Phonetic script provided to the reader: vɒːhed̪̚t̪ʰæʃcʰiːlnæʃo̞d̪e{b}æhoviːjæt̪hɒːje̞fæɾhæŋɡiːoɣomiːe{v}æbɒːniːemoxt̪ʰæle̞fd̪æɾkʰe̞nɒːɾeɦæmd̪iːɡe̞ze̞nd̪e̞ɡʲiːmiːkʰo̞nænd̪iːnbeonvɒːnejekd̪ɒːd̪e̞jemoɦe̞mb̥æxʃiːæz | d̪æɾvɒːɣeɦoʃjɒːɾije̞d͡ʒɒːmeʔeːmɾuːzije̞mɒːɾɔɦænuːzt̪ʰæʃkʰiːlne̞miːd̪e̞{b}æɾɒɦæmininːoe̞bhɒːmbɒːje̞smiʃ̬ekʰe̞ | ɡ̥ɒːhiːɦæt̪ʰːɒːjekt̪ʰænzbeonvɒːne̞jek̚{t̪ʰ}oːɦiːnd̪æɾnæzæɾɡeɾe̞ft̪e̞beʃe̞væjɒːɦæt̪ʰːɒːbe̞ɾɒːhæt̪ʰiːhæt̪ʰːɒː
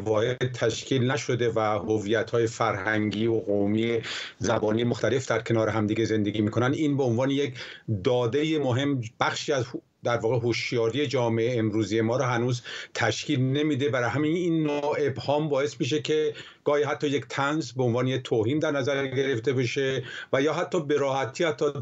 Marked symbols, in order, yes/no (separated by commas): no, no, yes, yes